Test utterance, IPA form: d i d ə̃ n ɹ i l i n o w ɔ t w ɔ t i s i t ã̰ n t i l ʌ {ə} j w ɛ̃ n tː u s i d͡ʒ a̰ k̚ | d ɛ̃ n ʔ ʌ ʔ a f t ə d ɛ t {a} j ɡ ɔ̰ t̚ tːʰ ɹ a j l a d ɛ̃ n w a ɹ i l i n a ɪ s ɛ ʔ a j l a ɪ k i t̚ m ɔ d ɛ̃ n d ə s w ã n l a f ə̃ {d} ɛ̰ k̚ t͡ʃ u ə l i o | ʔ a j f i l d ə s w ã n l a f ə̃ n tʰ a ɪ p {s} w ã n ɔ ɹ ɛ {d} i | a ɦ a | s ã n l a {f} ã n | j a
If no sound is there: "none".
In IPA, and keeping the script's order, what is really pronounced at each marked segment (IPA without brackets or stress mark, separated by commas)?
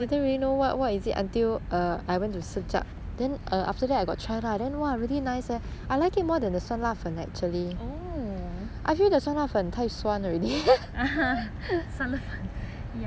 a, a, n, s, d, f